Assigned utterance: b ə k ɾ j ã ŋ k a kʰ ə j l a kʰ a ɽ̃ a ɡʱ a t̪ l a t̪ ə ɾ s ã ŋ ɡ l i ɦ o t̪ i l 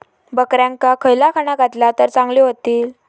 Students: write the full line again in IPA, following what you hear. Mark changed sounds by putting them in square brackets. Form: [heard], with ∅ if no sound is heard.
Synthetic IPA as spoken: b ə k ɾ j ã ŋ k a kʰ ə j l a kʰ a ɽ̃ a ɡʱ a t̪ l a t̪ ə ɾ [t͡s] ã ŋ ɡ l i ɦ o t̪ [iː] l